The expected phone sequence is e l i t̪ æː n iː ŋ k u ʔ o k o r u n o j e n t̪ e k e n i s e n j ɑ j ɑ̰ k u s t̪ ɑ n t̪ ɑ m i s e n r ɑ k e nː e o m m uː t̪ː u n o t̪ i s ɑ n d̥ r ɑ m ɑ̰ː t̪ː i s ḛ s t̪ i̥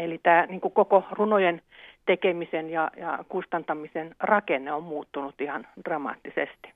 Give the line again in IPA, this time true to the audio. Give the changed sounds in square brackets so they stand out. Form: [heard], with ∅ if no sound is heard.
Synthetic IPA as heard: e l i t̪ æː n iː ŋ k u [k] o k o r u n o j e n t̪ e k e [m] i s e n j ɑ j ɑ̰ k u s t̪ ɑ n t̪ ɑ m i s e n r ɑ k e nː e o m m uː t̪ː u n [u] t̪ i [h] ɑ n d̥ r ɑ m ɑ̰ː t̪ː i s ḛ s t̪ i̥